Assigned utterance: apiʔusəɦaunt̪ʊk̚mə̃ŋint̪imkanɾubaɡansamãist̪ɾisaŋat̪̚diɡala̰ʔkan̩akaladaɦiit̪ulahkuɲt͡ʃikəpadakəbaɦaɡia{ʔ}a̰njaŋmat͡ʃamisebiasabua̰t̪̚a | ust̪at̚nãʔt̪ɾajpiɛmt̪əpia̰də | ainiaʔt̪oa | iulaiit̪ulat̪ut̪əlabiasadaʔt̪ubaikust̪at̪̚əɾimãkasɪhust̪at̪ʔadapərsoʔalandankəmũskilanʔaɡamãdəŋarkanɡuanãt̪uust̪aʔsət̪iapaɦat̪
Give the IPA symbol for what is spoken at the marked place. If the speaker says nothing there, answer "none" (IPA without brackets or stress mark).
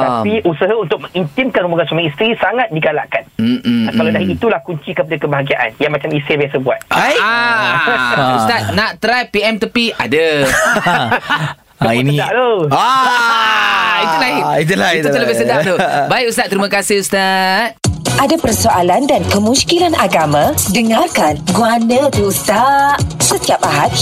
ʔ